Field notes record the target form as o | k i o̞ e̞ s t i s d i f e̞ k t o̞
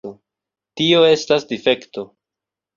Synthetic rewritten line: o | t i o̞ e̞ s t a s d i f e̞ k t o̞

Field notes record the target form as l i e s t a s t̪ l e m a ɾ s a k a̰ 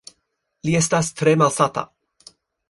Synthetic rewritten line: l i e s t a s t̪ ɾ e m a l s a t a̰

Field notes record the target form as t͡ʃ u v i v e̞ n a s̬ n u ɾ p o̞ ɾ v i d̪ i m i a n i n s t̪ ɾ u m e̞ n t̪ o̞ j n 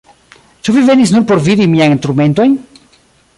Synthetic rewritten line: t͡ʃ u v i v e̞ n i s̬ n u ɾ p o̞ ɾ v i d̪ i m i a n i n s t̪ ɾ u m e̞ n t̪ o̞ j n

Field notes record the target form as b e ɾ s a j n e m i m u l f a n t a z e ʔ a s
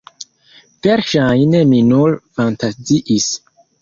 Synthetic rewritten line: v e ɾ ʃ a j n e m i n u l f a n t a z i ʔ i s

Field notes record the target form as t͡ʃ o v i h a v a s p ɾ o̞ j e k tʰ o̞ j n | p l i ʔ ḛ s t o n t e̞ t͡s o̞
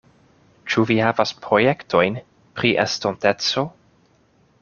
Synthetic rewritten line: t͡ʃ u v i h a v a s p ɾ o̞ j e k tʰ o̞ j n | p ɾ i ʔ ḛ s t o n t e̞ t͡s o̞

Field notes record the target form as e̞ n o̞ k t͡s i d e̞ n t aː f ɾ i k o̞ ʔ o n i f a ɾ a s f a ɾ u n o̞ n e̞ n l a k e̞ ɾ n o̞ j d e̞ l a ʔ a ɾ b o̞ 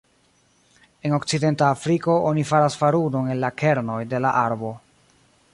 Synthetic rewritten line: e̞ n o̞ k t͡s i d e̞ n t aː f ɾ i k o̞ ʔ o n i f a ɾ a s f a ɾ u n o̞ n e̞ n l a k e̞ ɾ n o̞ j d e̞ l a ʔ a ɾ b o̞

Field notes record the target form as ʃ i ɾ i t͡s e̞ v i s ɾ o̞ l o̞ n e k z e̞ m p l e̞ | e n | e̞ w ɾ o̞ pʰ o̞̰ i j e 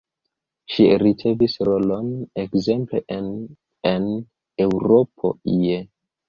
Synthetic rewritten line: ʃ i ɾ i t͡s e̞ v i s ɾ o̞ l o̞ n e k z e̞ m p l e̞ | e n | e̞ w ɾ o̞ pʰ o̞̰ i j e

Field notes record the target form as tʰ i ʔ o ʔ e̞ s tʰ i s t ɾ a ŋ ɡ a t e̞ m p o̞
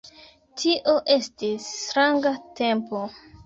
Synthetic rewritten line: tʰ i ʔ o ʔ e̞ s t i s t ɾ a ŋ ɡ a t e̞ m p o̞

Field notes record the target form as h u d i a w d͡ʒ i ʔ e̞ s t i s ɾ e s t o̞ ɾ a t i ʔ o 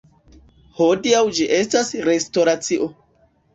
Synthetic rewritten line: h o d i a w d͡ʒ i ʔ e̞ s t a s ɾ e s t o̞ ɾ a t͡s i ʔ o

